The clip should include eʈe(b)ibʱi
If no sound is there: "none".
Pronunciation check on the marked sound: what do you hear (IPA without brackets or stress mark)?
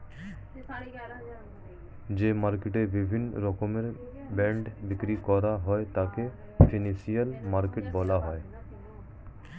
b